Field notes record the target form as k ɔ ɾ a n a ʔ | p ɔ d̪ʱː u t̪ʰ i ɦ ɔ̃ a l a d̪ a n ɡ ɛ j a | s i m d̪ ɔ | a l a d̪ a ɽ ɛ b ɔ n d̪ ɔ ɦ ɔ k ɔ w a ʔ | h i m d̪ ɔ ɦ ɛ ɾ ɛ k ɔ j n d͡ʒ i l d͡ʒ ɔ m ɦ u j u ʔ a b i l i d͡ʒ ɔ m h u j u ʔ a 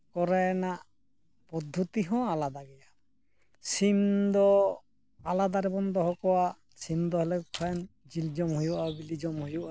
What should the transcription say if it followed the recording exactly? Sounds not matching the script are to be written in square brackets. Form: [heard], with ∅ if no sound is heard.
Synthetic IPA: k ɔ ɾ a n a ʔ | p ɔ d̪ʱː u [t̪] i ɦ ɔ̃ a l a d̪ a [∅] ɡ ɛ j a | s i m d̪ ɔ | a l a d̪ a [ɾ] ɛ b ɔ n d̪ ɔ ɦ ɔ k ɔ w a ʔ | [s] i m d̪ ɔ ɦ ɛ [l] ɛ [kʰ] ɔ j n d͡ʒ i l d͡ʒ ɔ m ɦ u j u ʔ a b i l i d͡ʒ ɔ m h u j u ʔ a

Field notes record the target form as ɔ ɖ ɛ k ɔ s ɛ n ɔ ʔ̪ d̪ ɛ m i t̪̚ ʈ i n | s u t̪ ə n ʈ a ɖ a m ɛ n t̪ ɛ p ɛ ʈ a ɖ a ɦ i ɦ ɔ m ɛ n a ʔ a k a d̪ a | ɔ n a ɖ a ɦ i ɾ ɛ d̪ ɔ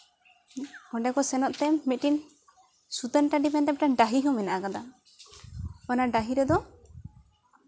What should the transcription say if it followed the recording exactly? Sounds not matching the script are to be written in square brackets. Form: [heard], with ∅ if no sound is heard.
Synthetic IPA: ɔ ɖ ɛ k ɔ s ɛ n ɔ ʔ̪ [t̪] ɛ m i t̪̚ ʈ i n | s u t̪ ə n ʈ a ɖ [i] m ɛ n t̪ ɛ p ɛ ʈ a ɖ a ɦ i ɦ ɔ m ɛ n a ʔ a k a d̪ a | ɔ n a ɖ a ɦ i ɾ ɛ d̪ ɔ

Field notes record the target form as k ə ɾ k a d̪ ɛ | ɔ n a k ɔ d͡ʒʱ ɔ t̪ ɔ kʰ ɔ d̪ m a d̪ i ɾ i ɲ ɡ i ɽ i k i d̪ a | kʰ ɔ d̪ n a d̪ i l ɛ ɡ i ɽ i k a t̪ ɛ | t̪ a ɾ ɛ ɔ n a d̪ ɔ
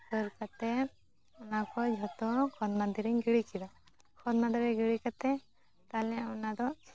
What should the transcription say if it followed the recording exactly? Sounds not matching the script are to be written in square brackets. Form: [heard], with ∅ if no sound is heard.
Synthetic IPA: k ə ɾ k a [t̪] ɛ | ɔ n a k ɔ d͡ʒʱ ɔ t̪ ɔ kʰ ɔ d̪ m a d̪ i ɾ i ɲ ɡ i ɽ i k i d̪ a | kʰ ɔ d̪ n a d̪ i [ɾ] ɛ ɡ i ɽ i k a t̪ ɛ | t̪ a [l] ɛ ɔ n a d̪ ɔ

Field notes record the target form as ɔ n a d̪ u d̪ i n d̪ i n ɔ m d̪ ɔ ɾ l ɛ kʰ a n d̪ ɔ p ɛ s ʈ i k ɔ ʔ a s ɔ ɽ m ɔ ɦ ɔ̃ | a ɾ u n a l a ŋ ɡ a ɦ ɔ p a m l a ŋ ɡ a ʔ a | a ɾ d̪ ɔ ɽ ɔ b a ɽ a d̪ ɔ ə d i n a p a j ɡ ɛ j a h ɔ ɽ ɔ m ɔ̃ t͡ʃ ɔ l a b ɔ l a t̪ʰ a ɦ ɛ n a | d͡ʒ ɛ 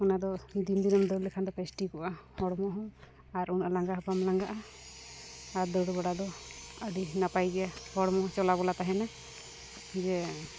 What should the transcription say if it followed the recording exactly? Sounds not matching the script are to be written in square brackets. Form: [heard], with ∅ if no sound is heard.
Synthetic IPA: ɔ n a d̪ [ɔ] d̪ i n d̪ i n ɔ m d̪ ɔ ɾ l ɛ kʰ a n d̪ ɔ p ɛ s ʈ i k ɔ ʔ a [h] ɔ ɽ m ɔ ɦ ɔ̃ | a ɾ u n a l a ŋ ɡ a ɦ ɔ p a m l a ŋ ɡ a ʔ a | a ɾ d̪ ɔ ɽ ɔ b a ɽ a d̪ ɔ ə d i n a p a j ɡ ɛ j a h ɔ ɽ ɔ m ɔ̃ t͡ʃ ɔ l a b ɔ l a [t̪] a ɦ ɛ n a | d͡ʒ ɛ

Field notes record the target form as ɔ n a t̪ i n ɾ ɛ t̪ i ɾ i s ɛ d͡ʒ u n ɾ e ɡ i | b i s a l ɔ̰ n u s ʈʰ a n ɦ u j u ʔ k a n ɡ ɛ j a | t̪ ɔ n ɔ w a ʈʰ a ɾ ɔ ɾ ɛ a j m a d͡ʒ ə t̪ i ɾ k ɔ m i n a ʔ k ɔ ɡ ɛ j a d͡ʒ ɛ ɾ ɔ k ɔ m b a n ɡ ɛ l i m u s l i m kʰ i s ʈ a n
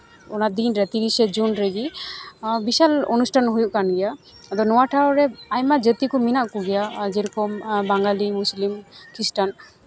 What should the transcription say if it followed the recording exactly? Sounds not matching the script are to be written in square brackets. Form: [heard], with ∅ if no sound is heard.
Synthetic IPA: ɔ n a [d̪] i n ɾ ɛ t̪ i ɾ i s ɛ d͡ʒ u n ɾ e ɡ i | b i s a l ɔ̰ n u s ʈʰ a n ɦ u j u ʔ k a n ɡ ɛ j a | [d̪] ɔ n ɔ w a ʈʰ a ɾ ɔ ɾ ɛ a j m a d͡ʒ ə t̪ i [∅] k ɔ m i n a ʔ k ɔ ɡ ɛ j a d͡ʒ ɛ ɾ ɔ k ɔ m b a [ŋ] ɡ [a] l i m u s l i m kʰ i s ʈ a n

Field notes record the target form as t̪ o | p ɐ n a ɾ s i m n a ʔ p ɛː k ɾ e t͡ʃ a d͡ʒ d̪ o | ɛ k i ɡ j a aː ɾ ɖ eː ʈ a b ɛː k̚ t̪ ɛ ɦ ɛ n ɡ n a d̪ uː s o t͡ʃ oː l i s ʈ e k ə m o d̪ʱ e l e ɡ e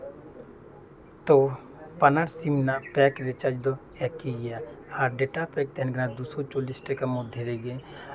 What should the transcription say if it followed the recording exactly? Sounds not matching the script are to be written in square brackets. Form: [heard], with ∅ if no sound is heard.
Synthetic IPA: t̪ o | p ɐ n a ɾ s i m n a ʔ p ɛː k ɾ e t͡ʃ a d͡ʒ d̪ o | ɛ k i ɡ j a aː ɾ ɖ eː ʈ a [p] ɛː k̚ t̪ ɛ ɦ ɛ n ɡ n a d̪ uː s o t͡ʃ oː l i s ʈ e k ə m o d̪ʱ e [ɾ] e ɡ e

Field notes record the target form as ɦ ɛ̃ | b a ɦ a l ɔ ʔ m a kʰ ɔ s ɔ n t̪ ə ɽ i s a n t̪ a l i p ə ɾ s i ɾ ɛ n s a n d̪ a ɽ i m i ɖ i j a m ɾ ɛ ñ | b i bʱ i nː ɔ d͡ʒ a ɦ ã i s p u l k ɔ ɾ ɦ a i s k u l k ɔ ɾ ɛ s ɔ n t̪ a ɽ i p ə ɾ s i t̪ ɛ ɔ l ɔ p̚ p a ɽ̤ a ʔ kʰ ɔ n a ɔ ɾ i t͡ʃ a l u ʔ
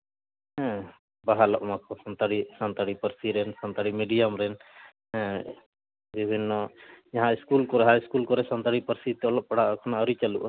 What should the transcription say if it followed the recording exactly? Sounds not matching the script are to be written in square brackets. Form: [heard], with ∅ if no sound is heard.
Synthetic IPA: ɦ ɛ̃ | b a ɦ a l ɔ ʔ m a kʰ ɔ s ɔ n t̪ [a] ɽ i s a n t̪ a [ɽ] i p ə ɾ s i ɾ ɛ n s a n [t̪] a ɽ i m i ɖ i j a m ɾ ɛ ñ | b i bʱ i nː ɔ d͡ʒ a ɦ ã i s [k] u l k ɔ ɾ ɦ a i s k u l k ɔ ɾ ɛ s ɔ n t̪ a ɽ i p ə ɾ s i t̪ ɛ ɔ l ɔ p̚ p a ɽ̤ a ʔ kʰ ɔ n a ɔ ɾ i t͡ʃ a l u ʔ

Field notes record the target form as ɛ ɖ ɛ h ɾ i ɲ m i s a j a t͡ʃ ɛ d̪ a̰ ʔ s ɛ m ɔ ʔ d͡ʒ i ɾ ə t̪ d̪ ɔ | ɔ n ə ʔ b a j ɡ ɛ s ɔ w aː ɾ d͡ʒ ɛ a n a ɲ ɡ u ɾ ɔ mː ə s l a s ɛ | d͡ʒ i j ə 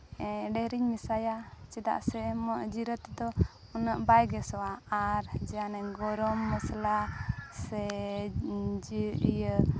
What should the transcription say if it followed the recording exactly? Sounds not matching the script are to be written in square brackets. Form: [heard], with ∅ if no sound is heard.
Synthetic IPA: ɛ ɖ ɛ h ɾ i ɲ m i s a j a t͡ʃ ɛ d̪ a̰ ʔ s ɛ m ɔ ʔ d͡ʒ i ɾ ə t̪ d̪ ɔ | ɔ n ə ʔ b a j ɡ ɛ s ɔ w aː ɾ d͡ʒ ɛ a n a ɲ ɡ [ɔ] ɾ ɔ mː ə s l a s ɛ | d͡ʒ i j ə

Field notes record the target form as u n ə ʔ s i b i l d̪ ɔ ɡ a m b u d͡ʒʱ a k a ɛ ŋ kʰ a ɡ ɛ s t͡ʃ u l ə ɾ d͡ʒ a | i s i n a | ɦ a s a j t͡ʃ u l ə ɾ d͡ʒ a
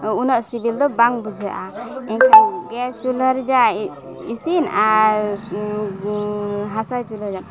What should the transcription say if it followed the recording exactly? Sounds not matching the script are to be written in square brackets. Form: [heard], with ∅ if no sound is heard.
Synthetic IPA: u n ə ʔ s i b i l d̪ ɔ [b] a [ŋ] b u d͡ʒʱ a [ʔ] a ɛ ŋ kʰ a ɡ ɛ s t͡ʃ u l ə ɾ d͡ʒ a | i s i n a | ɦ a s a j t͡ʃ u l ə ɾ d͡ʒ a

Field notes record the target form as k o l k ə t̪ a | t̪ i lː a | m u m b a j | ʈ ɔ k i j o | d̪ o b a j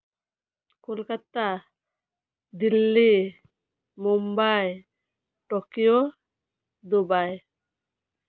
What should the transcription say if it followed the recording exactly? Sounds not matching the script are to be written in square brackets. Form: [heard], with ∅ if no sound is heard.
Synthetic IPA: k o l k [a] t̪ a | [d̪] i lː [i] | m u m b a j | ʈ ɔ k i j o | d̪ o b a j

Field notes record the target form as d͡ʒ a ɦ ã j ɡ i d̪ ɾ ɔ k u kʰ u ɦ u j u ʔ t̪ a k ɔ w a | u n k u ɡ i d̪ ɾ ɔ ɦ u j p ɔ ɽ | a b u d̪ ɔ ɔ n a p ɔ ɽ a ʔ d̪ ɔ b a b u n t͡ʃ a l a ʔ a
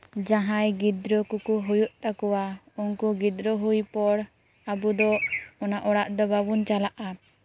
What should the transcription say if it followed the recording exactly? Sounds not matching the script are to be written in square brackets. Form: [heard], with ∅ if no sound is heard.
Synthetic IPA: d͡ʒ a ɦ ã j ɡ i d̪ ɾ ɔ k u [k] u ɦ u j u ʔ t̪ a k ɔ w a | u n k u ɡ i d̪ ɾ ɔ ɦ u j p ɔ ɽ | a b u d̪ ɔ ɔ n a [ʔ] ɔ ɽ a ʔ d̪ ɔ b a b u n t͡ʃ a l a ʔ a

